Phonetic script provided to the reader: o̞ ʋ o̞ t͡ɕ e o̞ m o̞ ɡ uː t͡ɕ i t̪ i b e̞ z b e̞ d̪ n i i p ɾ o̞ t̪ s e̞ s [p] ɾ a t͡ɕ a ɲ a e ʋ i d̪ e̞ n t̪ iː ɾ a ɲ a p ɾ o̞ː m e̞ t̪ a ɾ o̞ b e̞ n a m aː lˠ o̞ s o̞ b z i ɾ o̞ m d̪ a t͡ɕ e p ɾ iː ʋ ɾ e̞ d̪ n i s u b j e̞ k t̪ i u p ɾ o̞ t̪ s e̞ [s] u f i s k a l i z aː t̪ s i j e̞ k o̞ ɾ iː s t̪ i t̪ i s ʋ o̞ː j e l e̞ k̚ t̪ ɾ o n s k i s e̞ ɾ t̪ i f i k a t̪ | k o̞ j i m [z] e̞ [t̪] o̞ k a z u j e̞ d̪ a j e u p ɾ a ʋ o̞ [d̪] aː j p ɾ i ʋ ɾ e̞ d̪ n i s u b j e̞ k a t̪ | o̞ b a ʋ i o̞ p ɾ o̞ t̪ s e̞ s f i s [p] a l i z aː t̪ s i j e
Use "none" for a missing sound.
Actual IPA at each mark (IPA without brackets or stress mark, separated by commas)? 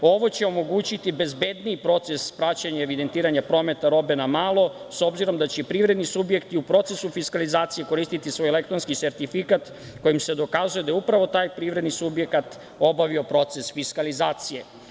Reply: p, s, s, d̪, t̪, k